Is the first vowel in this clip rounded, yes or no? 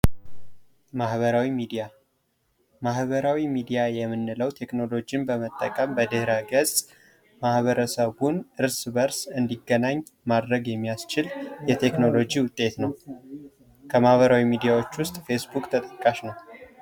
no